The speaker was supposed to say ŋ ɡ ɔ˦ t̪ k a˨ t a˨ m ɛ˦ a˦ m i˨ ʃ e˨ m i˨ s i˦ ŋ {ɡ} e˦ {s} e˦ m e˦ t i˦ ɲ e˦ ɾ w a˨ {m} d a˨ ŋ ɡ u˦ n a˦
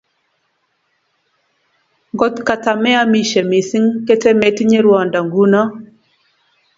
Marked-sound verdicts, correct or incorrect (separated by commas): incorrect, incorrect, incorrect